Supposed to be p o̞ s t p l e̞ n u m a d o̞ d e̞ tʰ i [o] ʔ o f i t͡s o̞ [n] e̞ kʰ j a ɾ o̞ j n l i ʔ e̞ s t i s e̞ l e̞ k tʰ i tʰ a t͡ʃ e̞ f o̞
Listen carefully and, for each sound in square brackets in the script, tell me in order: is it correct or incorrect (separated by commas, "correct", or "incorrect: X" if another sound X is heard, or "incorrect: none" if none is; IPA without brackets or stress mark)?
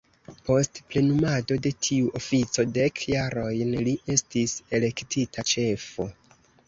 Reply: incorrect: u, incorrect: d